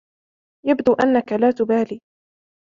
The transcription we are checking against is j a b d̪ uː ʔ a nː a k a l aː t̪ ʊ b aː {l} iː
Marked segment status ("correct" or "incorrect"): correct